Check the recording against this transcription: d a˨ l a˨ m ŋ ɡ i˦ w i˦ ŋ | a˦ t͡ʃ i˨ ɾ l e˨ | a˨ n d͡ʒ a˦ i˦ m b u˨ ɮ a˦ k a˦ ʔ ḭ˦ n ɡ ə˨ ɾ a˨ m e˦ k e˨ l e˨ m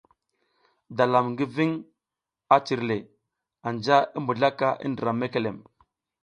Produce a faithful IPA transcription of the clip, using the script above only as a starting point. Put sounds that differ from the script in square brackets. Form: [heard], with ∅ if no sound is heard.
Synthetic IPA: d a˨ l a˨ m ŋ ɡ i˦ [v] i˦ ŋ | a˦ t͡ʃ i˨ ɾ l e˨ | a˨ n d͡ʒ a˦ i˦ m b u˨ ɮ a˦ k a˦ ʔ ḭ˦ n [d] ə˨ ɾ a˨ m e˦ k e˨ l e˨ m